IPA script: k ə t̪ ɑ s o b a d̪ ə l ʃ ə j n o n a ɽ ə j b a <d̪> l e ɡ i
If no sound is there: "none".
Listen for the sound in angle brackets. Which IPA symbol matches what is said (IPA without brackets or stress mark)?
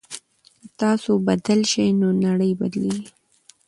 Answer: d̪